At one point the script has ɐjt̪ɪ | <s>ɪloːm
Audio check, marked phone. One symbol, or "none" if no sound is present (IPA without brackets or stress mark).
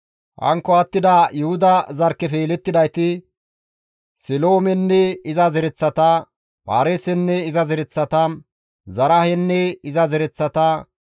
s